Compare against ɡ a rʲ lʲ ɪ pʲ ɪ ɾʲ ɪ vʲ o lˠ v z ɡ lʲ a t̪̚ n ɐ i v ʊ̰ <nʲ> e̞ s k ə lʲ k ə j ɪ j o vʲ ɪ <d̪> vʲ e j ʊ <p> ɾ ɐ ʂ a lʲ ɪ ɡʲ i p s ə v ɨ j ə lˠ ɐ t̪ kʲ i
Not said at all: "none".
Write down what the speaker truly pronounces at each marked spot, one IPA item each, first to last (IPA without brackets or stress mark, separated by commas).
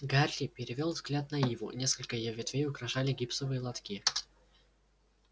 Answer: nʲ, t̪, k